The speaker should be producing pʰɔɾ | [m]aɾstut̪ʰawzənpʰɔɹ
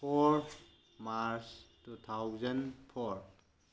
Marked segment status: correct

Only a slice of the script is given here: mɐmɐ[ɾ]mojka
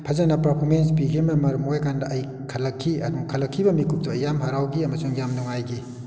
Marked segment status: correct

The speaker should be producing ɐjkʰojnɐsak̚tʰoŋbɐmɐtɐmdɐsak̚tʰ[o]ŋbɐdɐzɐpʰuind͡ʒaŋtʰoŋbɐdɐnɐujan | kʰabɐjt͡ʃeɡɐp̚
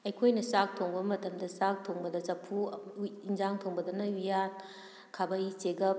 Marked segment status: correct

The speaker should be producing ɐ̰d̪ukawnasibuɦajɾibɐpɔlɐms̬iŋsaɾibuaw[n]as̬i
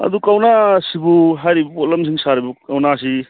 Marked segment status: correct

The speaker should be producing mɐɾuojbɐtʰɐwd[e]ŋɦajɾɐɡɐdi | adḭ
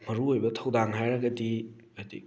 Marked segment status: incorrect: a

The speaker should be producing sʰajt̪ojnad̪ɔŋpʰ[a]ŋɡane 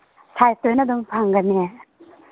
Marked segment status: correct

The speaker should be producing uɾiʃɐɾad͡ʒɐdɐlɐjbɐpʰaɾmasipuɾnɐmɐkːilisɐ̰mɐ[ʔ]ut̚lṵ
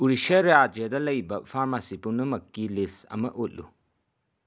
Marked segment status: correct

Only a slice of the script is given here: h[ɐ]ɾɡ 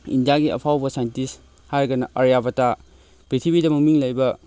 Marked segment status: incorrect: a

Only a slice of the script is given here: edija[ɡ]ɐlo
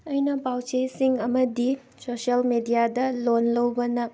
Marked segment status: incorrect: d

